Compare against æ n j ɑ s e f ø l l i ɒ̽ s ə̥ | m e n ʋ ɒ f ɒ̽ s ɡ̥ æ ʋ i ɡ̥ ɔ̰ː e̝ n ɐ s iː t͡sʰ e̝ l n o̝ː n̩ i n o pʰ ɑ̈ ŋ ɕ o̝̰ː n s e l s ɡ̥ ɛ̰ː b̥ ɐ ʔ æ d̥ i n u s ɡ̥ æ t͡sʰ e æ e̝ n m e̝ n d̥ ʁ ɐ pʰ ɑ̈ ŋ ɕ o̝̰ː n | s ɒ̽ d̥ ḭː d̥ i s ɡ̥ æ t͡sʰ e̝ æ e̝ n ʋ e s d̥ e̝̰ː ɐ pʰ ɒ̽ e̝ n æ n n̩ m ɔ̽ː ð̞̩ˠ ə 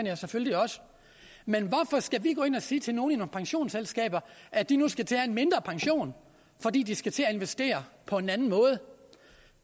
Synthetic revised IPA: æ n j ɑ s e f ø l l i ɒ̽ s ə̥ | m e n ʋ ɒ f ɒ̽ s ɡ̥ æ ʋ i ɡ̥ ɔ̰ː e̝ n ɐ s iː t͡sʰ e̝ l n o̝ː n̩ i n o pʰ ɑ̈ ŋ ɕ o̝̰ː n s e l s ɡ̥ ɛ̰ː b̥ ɐ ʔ æ d̥ i n u s ɡ̥ æ t͡sʰ e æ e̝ n m e̝ n d̥ ʁ ɐ pʰ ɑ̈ ŋ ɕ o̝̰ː n | f ɒ̽ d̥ ḭː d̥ i s ɡ̥ æ t͡sʰ e̝ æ e̝ n ʋ e s d̥ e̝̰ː ɐ pʰ ɒ̽ e̝ n æ n n̩ m ɔ̽ː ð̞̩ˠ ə